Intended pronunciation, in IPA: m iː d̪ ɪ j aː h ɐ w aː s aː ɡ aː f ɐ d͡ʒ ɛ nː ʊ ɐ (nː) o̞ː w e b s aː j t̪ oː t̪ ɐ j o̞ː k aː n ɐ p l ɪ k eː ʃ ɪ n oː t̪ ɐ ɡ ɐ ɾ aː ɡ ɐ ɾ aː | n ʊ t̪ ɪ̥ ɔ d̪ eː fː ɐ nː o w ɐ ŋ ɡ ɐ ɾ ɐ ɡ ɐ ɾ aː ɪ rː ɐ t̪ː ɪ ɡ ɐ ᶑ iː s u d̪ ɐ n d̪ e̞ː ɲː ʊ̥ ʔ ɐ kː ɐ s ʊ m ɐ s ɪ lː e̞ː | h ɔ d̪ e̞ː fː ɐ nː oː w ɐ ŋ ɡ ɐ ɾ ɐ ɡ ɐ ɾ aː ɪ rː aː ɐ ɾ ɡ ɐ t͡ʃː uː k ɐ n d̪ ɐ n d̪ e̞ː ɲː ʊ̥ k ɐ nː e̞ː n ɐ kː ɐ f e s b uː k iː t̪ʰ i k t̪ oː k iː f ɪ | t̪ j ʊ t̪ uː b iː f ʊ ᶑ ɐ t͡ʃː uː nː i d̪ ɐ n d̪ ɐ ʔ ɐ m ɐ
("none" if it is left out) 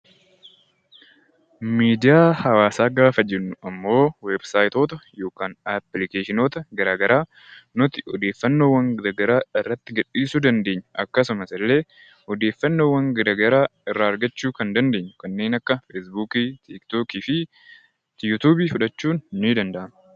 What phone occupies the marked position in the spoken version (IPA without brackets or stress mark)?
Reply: mː